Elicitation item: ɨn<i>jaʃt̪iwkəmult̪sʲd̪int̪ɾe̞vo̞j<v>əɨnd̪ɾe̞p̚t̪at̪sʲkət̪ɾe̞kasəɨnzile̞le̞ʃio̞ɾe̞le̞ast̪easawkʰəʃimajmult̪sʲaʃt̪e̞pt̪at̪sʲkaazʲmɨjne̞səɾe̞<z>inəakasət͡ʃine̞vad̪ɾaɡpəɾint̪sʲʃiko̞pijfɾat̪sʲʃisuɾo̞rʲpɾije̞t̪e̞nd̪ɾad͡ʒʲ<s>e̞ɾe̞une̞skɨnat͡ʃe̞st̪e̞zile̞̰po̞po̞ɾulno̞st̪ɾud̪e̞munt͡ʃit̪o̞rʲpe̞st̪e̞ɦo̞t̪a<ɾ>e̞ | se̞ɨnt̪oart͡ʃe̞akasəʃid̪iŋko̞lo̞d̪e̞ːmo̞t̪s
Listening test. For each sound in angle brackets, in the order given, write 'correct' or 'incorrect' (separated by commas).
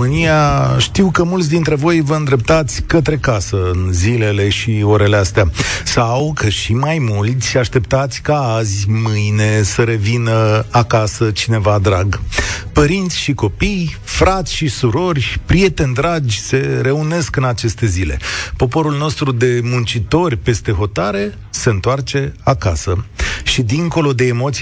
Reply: correct, correct, incorrect, correct, correct